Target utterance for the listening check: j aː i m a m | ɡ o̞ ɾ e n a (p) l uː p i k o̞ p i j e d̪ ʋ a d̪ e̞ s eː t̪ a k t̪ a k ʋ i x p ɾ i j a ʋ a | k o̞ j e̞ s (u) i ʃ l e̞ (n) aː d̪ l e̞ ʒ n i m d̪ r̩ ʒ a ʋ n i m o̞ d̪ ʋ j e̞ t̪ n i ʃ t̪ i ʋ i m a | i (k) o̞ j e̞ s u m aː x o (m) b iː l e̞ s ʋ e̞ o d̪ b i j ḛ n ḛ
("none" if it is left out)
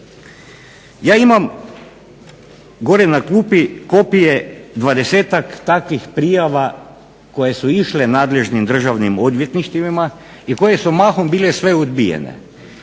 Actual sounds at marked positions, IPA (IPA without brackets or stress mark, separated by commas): k, u, n, k, m